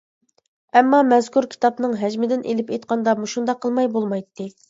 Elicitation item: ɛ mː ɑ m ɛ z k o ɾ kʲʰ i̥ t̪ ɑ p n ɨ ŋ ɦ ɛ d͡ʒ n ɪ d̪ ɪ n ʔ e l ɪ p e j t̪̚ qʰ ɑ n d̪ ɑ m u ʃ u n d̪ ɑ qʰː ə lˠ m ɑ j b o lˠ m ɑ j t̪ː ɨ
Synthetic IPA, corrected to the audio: ɛ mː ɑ m ɛ z k u ɾ kʲʰ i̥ t̪ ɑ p n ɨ ŋ ɦ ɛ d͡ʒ m ɪ d̪ ɪ n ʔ e l ɪ p e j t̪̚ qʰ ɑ n d̪ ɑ m u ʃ u n d̪ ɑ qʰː ə lˠ m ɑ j b o lˠ m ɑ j t̪ː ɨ